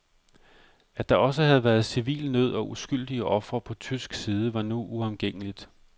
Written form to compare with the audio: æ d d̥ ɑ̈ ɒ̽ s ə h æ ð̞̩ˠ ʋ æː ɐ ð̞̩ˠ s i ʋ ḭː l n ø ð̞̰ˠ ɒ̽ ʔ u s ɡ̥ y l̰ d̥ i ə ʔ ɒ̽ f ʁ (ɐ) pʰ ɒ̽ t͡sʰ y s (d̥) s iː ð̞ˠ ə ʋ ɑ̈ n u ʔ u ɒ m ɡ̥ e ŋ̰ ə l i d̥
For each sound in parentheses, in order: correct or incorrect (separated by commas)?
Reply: correct, incorrect